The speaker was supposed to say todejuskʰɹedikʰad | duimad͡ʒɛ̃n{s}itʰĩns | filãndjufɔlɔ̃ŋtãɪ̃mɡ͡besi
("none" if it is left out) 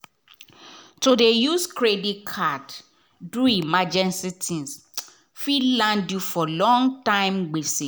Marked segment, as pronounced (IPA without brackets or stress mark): s